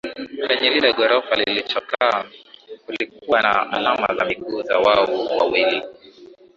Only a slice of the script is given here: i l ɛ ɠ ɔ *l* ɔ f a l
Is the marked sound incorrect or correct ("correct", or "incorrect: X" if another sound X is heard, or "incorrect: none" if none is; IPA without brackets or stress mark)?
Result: incorrect: ɾ